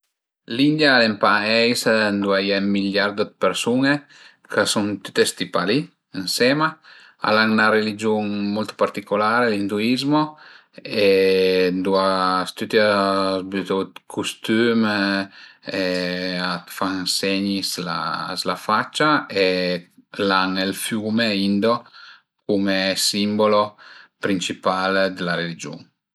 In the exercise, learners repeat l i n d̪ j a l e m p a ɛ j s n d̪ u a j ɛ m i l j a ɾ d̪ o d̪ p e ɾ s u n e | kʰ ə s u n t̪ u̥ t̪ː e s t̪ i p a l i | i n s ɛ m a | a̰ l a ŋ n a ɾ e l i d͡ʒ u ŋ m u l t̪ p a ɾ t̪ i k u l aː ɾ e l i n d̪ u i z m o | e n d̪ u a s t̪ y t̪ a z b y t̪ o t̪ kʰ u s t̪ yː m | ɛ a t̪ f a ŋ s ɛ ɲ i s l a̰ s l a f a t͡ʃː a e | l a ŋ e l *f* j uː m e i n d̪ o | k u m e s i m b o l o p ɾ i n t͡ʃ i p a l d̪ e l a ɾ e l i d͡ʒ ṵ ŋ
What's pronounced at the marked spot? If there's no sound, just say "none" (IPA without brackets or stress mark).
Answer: f